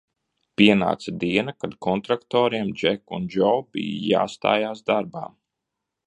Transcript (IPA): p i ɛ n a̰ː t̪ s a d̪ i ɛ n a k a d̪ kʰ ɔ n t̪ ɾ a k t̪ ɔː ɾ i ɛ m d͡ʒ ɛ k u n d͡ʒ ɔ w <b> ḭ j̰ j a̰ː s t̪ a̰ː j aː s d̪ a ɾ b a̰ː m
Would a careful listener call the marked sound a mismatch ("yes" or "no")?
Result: no